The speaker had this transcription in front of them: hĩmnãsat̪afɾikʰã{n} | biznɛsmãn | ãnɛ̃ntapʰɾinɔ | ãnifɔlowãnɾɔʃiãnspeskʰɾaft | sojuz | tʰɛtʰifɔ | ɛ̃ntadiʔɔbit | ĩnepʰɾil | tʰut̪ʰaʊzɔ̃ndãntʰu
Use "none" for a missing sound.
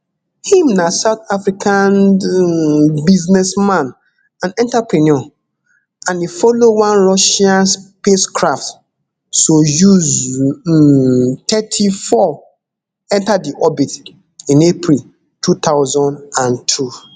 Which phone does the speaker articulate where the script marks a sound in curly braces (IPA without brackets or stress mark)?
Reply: n